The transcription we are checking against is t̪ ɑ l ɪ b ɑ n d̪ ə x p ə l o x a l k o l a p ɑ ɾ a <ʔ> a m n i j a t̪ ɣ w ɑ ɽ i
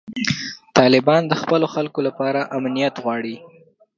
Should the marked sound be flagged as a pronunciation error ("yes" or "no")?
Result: no